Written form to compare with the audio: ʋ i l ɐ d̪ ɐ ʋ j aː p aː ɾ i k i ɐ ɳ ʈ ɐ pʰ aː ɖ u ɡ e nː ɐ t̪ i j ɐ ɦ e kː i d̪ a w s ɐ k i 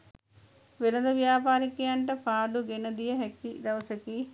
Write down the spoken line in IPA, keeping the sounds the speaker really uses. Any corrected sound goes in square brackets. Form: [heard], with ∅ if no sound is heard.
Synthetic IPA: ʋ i l ɐ d̪ ɐ ʋ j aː p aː ɾ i k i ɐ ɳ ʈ ɐ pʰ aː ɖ u ɡ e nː ɐ [d̪] i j ɐ ɦ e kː i d̪ [ɐ] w s ɐ k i